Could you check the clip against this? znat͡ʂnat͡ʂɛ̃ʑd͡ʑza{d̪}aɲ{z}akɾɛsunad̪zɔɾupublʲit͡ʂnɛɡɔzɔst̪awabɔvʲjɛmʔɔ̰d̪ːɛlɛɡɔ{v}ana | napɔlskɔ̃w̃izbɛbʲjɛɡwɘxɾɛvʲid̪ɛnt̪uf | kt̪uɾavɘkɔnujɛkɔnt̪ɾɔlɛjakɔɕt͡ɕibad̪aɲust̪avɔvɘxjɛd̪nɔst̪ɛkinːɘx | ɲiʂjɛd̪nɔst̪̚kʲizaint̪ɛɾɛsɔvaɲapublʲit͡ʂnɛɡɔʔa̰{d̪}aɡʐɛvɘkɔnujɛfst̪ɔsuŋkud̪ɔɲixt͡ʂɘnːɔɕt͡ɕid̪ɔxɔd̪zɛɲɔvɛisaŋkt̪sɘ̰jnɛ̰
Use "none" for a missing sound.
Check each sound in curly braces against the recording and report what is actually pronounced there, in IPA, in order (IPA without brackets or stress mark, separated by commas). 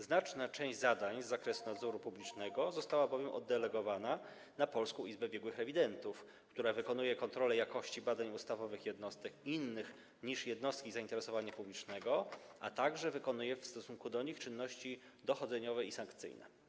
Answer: d̪, zː, v, t̪